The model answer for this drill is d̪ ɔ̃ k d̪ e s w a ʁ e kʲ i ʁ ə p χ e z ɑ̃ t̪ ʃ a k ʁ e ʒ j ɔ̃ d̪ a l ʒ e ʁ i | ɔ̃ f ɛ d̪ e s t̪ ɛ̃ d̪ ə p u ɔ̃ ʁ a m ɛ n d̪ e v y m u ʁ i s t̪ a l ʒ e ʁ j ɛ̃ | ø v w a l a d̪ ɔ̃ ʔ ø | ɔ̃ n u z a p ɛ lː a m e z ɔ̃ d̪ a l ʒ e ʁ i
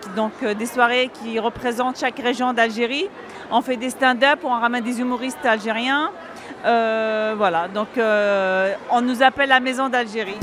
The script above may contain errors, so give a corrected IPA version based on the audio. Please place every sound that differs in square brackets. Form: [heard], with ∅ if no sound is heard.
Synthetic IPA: d̪ ɔ̃ k d̪ e s w a ʁ e kʲ i ʁ ə p χ e z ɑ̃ t̪ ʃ a k ʁ e ʒ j ɔ̃ d̪ a l ʒ e ʁ i | ɔ̃ f ɛ d̪ e s t̪ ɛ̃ d̪ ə p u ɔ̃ ʁ a m ɛ n d̪ e [z] y m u ʁ i s t̪ a l ʒ e ʁ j ɛ̃ | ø v w a l a d̪ ɔ̃ [k] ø | ɔ̃ n u z a p ɛ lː a m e z ɔ̃ d̪ a l ʒ e ʁ i